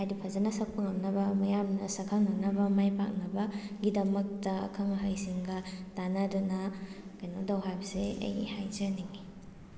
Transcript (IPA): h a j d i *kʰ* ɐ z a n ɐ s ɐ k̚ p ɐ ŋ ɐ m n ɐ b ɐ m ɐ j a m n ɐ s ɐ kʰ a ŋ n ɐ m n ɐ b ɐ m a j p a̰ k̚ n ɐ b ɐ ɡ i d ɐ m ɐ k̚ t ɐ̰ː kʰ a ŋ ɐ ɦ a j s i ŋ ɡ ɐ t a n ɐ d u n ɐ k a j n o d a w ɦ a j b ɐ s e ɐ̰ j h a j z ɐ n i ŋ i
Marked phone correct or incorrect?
incorrect: pʰ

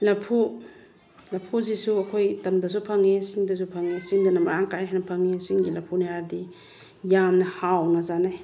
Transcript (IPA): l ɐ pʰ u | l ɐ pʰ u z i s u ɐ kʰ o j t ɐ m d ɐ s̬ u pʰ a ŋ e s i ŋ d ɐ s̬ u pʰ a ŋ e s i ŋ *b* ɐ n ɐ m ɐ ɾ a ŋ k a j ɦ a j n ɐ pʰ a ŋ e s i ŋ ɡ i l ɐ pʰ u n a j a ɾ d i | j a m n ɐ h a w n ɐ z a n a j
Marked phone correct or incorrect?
incorrect: d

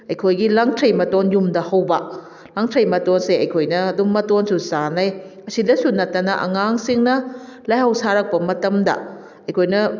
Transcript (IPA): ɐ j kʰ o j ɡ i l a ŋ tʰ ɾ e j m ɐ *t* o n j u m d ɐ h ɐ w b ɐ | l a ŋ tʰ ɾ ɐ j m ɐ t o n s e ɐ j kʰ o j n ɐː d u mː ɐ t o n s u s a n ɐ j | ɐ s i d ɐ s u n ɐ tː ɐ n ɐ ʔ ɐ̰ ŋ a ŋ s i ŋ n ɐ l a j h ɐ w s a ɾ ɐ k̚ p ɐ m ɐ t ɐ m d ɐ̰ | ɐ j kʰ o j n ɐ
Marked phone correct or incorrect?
correct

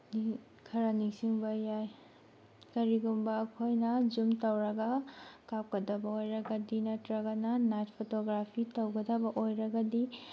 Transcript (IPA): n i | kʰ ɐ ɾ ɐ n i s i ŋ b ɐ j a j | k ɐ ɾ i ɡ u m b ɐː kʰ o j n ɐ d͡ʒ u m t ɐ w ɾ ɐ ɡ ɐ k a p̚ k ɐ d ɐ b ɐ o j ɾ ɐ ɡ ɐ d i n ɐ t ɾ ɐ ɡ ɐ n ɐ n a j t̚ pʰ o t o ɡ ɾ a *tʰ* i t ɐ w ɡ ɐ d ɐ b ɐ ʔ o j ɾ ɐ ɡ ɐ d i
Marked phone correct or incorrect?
incorrect: pʰ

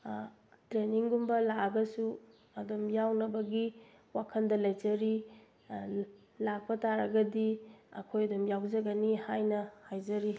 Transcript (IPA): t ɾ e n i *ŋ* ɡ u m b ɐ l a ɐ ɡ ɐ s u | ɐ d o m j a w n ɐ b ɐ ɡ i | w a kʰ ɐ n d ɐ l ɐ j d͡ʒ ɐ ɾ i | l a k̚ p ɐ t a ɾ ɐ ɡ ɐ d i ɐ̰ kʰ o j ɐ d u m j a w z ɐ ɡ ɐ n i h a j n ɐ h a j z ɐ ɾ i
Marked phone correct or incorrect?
correct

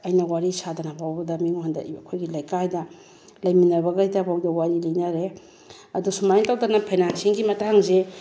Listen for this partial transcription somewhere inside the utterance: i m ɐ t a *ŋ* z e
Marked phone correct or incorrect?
correct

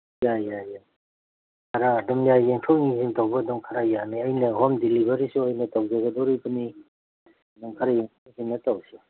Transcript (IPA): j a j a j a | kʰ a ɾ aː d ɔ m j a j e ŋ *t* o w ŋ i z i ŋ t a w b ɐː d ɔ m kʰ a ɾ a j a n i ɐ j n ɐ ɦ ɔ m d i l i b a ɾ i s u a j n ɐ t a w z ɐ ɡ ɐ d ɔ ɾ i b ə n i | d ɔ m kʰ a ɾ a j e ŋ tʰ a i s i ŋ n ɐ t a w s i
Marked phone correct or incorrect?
incorrect: tʰ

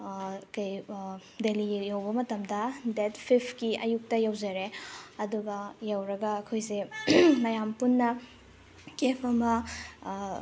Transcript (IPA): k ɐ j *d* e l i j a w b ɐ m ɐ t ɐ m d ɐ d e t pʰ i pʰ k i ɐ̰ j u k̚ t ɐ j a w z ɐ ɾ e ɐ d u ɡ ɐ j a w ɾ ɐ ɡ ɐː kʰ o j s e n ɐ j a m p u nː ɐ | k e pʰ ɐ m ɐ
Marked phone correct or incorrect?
correct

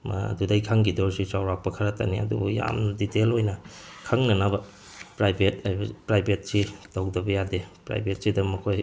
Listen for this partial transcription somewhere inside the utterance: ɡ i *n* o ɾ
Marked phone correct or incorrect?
incorrect: d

